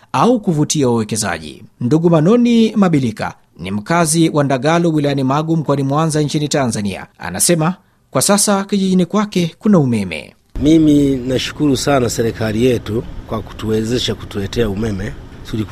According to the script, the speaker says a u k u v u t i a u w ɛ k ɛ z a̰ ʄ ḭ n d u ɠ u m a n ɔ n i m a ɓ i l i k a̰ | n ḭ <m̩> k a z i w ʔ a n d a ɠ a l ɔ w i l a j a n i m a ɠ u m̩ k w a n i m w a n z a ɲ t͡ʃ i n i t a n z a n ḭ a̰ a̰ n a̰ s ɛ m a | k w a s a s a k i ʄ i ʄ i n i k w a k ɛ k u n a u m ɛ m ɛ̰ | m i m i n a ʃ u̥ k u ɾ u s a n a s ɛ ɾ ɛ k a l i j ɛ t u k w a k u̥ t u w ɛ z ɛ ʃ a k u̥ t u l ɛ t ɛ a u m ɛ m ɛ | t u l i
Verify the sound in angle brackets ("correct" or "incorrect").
correct